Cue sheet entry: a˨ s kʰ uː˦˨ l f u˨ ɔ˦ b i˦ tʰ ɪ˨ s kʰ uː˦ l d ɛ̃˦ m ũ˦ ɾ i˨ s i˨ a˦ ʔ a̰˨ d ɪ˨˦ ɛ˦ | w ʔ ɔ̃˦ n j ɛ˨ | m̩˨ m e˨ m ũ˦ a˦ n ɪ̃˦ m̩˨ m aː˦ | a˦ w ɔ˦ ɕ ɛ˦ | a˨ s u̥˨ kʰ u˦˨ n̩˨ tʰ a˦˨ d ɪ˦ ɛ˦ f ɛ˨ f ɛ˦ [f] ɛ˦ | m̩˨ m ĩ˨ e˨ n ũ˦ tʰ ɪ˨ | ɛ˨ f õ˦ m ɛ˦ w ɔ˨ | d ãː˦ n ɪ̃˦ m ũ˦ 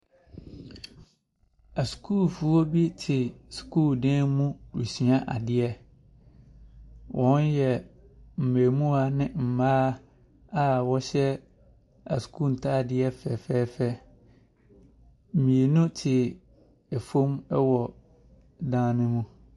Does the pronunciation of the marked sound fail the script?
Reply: no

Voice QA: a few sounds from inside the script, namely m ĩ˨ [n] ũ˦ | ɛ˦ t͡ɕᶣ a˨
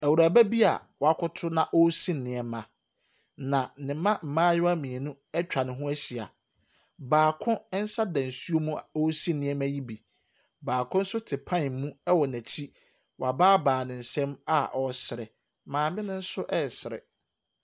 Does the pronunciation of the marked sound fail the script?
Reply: no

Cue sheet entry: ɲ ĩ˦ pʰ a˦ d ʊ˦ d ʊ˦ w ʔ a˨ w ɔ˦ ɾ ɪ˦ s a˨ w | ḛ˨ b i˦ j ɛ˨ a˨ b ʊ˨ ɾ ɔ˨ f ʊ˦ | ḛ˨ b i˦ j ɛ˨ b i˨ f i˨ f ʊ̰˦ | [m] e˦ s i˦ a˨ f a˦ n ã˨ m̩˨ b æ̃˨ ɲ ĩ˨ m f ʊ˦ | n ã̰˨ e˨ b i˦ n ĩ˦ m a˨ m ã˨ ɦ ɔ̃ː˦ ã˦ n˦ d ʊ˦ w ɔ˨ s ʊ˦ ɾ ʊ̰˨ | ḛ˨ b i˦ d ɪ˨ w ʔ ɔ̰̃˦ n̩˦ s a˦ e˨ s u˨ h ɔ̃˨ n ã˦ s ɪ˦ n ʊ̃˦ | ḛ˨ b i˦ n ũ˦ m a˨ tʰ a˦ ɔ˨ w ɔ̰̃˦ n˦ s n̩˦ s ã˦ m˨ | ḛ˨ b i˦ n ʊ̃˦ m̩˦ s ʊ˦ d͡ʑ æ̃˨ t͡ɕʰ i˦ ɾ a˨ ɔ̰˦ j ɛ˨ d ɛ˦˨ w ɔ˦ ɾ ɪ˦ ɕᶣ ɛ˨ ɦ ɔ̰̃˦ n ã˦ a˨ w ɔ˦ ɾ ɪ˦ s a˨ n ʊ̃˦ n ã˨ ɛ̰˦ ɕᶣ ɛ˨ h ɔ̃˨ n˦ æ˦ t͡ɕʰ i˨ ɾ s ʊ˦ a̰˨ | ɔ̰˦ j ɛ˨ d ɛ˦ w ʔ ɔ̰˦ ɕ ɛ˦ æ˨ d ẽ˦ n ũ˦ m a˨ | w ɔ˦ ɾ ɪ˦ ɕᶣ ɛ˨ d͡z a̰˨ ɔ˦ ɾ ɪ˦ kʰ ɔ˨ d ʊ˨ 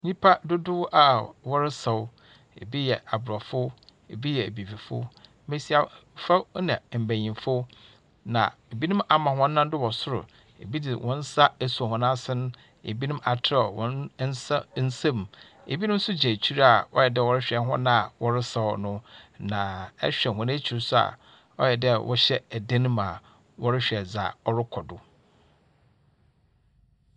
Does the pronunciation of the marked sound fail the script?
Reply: no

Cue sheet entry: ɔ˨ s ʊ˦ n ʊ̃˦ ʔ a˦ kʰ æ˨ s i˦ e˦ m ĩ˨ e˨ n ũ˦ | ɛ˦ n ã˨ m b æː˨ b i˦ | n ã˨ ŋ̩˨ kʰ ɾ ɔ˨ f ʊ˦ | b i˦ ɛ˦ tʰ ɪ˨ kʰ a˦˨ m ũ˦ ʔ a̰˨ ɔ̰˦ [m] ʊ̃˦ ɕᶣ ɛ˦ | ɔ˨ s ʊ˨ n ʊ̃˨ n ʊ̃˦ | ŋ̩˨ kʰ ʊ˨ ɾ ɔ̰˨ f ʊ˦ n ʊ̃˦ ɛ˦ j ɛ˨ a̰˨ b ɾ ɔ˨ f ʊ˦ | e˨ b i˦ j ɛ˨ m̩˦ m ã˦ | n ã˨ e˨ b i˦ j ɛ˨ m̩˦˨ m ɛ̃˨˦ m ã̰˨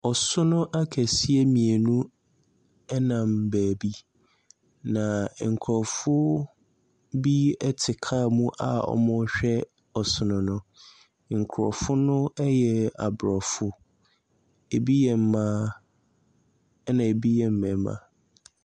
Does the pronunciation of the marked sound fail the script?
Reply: no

